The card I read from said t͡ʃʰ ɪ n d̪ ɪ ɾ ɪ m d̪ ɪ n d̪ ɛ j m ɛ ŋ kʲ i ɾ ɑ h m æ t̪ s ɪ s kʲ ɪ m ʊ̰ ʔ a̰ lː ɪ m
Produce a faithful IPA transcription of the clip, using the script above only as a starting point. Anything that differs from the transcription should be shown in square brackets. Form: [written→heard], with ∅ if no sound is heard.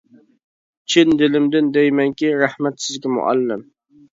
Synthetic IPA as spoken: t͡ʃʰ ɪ n d̪ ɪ [ɾ→l] ɪ m d̪ ɪ n d̪ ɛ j m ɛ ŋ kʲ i ɾ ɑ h m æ t̪ s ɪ [s→z] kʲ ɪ m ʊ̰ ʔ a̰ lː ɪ m